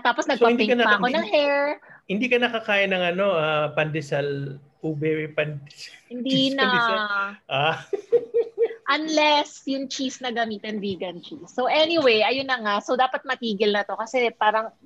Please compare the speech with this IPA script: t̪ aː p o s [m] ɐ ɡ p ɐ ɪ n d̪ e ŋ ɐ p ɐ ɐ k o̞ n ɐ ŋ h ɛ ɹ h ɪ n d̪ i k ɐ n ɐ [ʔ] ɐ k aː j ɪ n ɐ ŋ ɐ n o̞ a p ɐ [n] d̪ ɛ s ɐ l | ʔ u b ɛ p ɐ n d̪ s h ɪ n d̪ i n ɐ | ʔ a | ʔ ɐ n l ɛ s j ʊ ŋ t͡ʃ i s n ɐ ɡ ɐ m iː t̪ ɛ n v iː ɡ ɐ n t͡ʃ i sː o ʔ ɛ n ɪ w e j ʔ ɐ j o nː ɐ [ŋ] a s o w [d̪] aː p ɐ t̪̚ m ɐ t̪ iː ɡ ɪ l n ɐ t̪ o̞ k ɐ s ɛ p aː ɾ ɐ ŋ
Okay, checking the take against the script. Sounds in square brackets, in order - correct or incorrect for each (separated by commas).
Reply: incorrect, incorrect, correct, correct, correct